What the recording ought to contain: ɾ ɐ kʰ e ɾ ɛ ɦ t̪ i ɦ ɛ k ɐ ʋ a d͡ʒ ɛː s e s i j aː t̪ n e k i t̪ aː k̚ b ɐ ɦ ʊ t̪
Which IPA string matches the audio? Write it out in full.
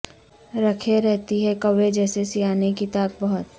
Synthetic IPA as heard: ɾ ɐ kʰ e ɾ ɛ ɦ t̪ i ɦ ɛ k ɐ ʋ e d͡ʒ ɛː s e s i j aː n e k i t̪ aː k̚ b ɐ ɦ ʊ t̪